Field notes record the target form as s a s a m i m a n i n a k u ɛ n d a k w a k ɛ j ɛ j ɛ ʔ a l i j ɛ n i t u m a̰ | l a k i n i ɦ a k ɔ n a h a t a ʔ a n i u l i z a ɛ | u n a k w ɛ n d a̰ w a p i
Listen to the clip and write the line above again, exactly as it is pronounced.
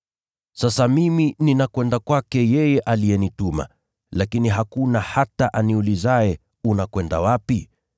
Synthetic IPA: s a s a m i m i n i n a k w ɛ n d a k w a k ɛ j ɛ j ɛ ʔ a l i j ɛ n i t u m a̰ | l a k i n i ɦ a k u n a h a t a ʔ a n i u l i z a ɛ | u n a k w ɛ n d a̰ w a p i